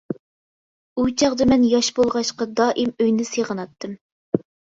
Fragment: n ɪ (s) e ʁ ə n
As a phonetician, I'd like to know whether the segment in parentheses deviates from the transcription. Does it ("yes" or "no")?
no